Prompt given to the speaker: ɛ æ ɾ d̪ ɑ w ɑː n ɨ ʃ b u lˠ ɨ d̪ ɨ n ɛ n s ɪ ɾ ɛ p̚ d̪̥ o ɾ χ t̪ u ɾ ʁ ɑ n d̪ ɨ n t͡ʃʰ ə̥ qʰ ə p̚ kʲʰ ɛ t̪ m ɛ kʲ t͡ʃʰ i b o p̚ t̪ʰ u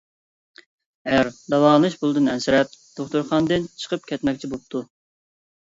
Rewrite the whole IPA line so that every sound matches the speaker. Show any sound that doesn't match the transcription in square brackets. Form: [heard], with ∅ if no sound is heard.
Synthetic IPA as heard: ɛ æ ɾ d̪ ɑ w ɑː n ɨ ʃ b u lˠ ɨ d̪ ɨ n ɛ n s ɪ ɾ ɛ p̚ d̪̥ o [∅] χ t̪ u ɾ [χ] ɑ n d̪ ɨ n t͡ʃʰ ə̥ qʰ ə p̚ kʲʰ ɛ t̪ m ɛ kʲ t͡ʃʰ i b o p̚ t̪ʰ u